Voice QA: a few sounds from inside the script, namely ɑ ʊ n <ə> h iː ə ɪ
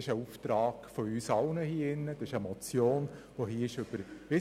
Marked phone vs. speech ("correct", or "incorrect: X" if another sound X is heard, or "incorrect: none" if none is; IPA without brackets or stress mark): correct